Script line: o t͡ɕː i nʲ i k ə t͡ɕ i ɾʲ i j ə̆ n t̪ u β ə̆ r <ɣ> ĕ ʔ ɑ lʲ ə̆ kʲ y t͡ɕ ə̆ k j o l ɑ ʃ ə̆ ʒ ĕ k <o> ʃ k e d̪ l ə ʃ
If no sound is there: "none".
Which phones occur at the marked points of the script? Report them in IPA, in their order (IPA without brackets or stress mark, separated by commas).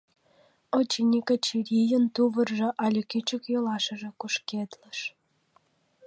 ʒ, u